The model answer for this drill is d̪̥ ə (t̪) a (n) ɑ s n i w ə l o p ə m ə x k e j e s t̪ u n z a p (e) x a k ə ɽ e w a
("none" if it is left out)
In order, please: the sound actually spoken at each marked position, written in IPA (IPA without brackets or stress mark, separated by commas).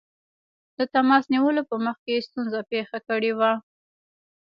t̪, m, e